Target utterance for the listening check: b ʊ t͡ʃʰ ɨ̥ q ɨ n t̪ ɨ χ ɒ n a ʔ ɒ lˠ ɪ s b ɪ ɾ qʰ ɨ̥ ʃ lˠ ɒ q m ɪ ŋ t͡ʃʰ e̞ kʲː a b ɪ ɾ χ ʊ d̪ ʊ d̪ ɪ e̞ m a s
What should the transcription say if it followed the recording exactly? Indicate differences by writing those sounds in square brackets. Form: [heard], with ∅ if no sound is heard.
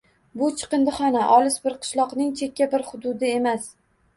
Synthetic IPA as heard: b ʊ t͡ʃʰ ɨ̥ q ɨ n [d̪] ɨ χ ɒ n a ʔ ɒ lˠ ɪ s b ɪ ɾ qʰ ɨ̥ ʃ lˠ ɒ q [n] ɪ ŋ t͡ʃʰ e̞ kʲː a b ɪ ɾ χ ʊ d̪ ʊ d̪ ɪ e̞ m a s